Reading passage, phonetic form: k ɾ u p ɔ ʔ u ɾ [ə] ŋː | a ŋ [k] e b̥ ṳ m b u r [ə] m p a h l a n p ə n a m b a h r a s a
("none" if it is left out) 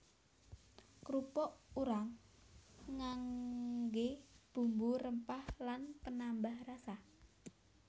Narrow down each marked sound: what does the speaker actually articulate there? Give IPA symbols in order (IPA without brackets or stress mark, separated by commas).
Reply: a, ɡ, ə